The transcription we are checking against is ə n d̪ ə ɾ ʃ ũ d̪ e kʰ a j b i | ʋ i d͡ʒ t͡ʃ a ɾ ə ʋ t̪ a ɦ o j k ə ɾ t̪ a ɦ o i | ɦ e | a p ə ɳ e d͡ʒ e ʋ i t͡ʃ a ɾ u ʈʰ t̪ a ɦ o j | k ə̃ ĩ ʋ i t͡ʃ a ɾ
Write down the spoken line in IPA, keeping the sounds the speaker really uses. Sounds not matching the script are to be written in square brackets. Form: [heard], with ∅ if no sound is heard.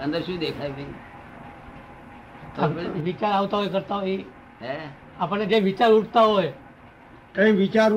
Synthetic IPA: ə n d̪ ə ɾ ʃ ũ d̪ e kʰ a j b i | ʋ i [∅] t͡ʃ a ɾ [a] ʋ t̪ a ɦ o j k ə ɾ t̪ a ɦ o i | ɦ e | a p ə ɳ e d͡ʒ e ʋ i t͡ʃ a ɾ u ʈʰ t̪ a ɦ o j | k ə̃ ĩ ʋ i t͡ʃ a ɾ